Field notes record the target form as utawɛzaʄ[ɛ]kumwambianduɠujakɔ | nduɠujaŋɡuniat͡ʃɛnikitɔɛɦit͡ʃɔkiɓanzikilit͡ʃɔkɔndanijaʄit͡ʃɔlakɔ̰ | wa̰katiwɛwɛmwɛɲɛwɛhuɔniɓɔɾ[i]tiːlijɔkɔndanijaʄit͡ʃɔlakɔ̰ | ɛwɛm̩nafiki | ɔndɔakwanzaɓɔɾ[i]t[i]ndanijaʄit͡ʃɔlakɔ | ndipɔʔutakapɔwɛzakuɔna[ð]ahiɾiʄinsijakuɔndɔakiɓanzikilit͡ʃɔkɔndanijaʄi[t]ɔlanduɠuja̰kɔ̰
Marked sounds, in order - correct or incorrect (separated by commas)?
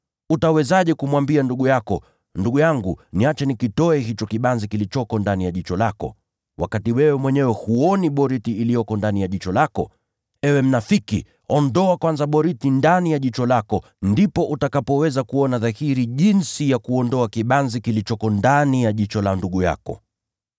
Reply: correct, correct, correct, correct, correct, incorrect